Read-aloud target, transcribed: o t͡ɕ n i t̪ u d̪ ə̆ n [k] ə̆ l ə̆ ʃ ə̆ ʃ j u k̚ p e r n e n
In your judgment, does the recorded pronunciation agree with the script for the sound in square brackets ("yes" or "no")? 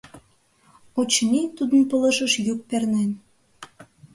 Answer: no